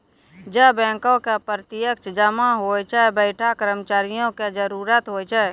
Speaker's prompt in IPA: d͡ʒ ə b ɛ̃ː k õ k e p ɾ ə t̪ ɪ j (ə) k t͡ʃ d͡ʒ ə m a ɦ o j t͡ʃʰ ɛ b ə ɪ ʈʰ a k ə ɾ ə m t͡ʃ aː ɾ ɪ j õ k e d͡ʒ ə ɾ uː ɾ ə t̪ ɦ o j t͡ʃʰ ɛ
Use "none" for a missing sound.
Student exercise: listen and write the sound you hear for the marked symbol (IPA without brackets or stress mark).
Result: ə